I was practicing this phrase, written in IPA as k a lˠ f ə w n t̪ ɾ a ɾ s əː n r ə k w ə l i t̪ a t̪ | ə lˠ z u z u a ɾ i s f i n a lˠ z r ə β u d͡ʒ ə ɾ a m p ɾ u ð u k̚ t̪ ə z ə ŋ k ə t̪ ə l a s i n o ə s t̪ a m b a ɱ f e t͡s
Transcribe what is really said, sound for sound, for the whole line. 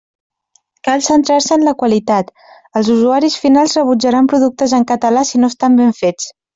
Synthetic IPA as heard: k a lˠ s ə n t̪ ɾ a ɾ s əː n l ə k w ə l i t̪ a t̪ | ə lˠ z u z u a ɾ i s f i n a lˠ z r ə β u d͡ʒ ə ɾ a m p ɾ u ð u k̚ t̪ ə z ə ŋ k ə t̪ ə l a s i n o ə s t̪ a m b e ɱ f e t͡s